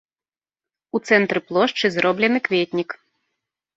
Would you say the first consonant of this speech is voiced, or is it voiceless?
voiceless